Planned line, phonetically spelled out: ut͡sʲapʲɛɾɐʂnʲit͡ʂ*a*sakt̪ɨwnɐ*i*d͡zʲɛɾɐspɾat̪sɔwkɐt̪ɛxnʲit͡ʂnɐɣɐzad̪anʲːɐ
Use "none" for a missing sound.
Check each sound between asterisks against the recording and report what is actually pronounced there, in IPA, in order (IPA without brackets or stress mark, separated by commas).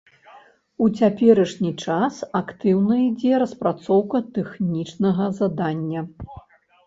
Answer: a, i